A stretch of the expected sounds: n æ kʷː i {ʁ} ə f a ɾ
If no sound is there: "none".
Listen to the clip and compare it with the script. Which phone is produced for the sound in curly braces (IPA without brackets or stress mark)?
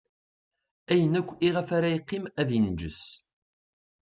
ʁ